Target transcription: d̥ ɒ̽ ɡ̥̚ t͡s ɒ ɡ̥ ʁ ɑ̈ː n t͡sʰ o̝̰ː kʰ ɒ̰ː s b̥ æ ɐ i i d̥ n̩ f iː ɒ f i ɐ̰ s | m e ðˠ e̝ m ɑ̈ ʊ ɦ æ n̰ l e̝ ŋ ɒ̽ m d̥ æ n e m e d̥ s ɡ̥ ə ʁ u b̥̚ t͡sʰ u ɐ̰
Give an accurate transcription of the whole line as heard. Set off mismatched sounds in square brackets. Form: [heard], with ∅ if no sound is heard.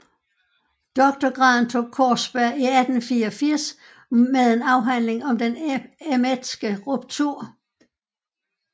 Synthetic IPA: d̥ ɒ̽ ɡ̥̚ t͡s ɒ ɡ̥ ʁ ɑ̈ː n t͡sʰ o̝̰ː kʰ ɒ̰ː s b̥ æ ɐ i [æ] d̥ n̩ f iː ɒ f i ɐ̰ s | m e ðˠ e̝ [n] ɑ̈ ʊ ɦ æ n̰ l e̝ ŋ ɒ̽ m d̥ [e] n e m e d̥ s ɡ̥ ə ʁ u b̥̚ t͡sʰ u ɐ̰